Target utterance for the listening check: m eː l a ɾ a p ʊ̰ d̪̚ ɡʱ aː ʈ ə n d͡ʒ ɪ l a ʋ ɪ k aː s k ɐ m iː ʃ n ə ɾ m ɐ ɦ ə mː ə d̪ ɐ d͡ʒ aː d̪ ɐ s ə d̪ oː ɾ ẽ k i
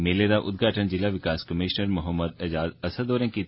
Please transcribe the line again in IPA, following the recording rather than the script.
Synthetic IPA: m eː l e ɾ a ʔ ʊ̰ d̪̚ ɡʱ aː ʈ ə n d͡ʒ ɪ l a ʋ ɪ k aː s k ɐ m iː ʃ n ə ɾ m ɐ ɦ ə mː ə d̪ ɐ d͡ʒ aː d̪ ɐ s ə d̪ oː ɾ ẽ k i